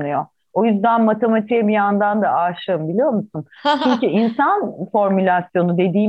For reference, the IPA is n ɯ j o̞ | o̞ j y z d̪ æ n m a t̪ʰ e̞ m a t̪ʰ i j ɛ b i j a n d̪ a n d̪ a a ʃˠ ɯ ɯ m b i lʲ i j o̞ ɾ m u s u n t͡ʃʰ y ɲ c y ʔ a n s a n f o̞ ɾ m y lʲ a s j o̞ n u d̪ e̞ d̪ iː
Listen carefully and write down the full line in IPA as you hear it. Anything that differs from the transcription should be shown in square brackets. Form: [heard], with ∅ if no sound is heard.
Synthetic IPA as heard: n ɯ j o̞ | o̞ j y z d̪ æ n m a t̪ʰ e̞ m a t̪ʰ i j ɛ b i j a n d̪ a n d̪ a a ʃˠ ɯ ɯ m b i lʲ i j o̞ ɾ m u s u n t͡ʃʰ y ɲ c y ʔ [i] n s a n f o̞ ɾ m y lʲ a s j o̞ n u d̪ e̞ d̪ iː